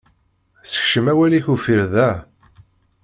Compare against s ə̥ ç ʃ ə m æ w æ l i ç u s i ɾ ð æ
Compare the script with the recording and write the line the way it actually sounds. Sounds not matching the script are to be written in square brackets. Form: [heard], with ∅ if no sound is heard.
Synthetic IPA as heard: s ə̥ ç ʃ ə m æ w æ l i ç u [f] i ɾ ð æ

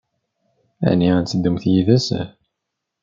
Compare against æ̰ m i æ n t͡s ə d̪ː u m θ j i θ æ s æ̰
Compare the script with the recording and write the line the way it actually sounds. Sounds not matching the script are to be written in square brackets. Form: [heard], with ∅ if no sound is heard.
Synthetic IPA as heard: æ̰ [n] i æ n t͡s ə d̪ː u m θ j i [ð] æ s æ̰

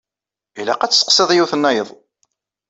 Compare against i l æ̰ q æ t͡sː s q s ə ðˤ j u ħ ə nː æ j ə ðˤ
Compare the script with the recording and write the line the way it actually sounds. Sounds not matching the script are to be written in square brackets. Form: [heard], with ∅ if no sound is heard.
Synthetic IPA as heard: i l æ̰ q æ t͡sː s q s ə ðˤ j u [θ] ə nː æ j ə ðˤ

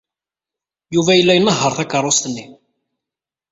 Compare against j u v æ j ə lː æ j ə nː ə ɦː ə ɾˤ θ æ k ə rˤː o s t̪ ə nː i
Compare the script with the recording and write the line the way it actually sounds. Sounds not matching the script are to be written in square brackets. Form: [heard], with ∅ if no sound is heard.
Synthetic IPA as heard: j u v æ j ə lː æ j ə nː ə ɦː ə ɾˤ θ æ k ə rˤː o s t̪ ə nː i

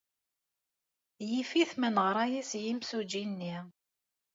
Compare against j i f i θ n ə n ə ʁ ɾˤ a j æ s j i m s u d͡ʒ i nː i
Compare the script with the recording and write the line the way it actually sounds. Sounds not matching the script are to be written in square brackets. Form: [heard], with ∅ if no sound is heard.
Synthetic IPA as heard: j i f i θ [m] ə n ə ʁ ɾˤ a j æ s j i m s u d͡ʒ i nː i

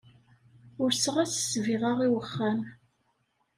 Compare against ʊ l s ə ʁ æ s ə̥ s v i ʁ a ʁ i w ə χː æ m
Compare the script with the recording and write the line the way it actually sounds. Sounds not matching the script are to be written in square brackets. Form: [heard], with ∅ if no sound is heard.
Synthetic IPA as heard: ʊ [ɾ] s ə ʁ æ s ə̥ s v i ʁ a ʁ i w ə χː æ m

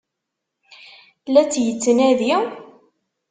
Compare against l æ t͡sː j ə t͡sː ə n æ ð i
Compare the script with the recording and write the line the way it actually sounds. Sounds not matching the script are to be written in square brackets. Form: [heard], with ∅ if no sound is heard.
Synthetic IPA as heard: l æ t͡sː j ə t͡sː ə n æ ð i

